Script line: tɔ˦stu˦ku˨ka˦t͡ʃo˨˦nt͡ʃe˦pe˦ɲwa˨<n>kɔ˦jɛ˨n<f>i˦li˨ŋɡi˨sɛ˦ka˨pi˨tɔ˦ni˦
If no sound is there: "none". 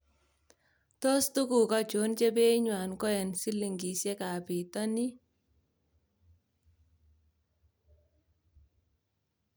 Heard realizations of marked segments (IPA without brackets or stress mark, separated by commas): n, s